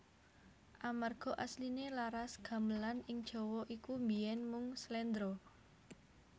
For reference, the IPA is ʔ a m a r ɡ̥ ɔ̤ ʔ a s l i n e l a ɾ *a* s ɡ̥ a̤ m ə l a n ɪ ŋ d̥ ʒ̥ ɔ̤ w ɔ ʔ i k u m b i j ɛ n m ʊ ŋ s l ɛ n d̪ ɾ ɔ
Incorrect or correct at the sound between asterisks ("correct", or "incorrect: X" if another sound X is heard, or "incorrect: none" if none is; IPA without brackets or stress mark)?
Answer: correct